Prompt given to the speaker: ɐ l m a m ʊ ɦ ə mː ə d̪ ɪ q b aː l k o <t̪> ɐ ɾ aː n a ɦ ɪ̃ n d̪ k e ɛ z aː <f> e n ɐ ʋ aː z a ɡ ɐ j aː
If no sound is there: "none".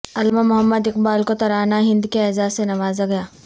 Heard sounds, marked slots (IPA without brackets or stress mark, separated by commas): t̪, s